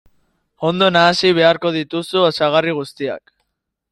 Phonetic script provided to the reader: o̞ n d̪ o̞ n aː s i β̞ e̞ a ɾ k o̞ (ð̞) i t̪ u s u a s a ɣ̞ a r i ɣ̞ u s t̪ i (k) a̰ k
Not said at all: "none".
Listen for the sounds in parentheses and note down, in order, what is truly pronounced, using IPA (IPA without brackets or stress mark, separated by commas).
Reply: ð̞, none